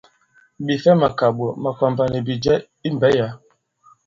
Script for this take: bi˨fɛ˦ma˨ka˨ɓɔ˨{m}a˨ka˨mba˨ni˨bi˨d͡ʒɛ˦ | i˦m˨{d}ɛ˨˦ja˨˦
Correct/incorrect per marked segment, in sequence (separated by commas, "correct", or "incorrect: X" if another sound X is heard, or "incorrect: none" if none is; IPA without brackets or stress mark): correct, incorrect: b